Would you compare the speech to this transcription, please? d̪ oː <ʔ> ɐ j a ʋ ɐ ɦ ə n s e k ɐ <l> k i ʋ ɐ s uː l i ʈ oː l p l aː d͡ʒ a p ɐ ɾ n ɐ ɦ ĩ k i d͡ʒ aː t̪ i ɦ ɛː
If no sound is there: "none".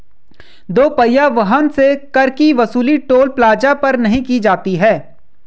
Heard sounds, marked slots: p, ɾ

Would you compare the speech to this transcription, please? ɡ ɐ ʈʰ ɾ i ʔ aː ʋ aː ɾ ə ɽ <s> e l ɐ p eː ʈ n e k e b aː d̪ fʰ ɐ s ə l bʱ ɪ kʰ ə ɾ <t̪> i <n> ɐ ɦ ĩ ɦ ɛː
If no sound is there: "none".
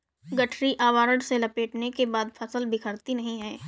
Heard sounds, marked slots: s, t̪, n

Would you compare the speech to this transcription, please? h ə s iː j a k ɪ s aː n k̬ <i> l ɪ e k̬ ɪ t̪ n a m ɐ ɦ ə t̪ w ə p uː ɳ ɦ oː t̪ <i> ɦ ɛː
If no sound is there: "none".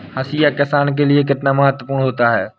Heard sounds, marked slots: e, a

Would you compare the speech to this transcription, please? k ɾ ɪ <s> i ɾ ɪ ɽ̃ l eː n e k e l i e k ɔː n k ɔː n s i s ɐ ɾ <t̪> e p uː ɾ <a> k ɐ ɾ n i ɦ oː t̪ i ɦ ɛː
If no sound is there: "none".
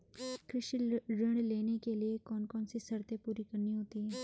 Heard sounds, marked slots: ʃ, t̪, i

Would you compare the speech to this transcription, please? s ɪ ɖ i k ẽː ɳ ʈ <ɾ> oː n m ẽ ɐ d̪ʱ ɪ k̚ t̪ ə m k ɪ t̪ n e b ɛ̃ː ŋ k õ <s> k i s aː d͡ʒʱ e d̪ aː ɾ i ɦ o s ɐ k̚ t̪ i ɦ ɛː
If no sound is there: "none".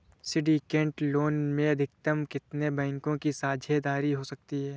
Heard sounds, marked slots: l, none

